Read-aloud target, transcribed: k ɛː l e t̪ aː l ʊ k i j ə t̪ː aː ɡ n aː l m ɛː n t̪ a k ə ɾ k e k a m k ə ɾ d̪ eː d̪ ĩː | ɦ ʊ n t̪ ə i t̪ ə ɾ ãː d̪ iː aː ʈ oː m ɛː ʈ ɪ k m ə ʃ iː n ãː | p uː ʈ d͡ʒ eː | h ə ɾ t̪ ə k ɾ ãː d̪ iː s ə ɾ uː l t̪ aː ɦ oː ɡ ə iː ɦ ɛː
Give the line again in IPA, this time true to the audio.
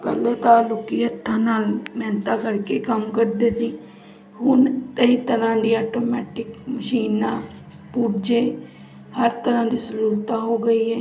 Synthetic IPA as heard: p ɛː l e t̪ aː l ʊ k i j ə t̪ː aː n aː l m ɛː n t̪ a k ə ɾ k e k ə m k ə ɾ d̪ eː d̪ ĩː | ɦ ʊ n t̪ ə i t̪ ə ɾ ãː d̪ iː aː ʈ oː m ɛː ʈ ɪ k m ə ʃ iː n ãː | p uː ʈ d͡ʒ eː | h ə ɾ t̪ ə ɾ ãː d̪ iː s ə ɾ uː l t̪ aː ɦ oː ɡ ə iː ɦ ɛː

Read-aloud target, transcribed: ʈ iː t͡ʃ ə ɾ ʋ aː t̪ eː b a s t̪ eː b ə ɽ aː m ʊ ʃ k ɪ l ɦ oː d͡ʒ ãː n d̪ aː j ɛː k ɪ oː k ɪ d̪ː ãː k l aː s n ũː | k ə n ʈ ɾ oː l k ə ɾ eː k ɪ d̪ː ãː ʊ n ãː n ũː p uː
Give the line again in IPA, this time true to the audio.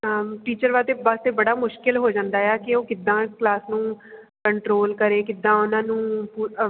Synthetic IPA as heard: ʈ iː t͡ʃ ə ɾ ʋ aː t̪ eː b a s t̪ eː b ə ɽ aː m ʊ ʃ k ɪ l ɦ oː d͡ʒ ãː n d̪ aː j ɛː k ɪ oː k ɪ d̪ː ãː k l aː s n ũː | k ə ɳ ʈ ɾ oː l k ə ɾ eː k ɪ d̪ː ãː ʊ n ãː n ũː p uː

